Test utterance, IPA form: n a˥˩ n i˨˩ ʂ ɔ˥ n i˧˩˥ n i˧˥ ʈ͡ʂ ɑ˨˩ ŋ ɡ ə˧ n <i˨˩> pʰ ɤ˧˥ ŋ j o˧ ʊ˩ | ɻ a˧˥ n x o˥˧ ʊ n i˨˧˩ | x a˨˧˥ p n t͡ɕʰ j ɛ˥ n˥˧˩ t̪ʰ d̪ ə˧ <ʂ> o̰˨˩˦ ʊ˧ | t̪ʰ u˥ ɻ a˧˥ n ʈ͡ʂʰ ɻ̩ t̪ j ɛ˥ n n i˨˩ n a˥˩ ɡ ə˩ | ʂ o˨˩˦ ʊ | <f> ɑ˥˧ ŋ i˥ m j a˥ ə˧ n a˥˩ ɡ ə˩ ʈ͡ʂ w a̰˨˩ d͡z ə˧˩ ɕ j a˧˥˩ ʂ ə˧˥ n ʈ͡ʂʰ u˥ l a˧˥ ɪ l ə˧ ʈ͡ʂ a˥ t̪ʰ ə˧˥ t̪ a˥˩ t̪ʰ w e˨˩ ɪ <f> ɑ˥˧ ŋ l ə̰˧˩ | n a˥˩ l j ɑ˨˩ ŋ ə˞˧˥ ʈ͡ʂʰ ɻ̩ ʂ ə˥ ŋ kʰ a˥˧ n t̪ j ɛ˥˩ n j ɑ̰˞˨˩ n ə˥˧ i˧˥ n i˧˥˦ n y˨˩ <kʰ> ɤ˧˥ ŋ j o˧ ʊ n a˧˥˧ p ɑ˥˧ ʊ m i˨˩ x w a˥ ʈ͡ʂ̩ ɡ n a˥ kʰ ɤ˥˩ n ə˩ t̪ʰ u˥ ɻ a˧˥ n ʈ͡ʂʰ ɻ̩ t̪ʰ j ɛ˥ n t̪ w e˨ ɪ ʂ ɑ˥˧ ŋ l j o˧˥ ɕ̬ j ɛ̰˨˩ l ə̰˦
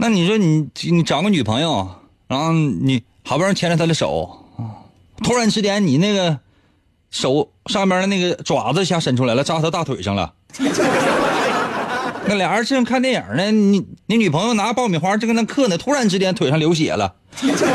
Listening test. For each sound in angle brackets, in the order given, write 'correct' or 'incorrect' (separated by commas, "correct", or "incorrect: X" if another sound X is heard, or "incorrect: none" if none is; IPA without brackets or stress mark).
incorrect: y˨˩, correct, incorrect: ʂ, incorrect: ʂ, incorrect: pʰ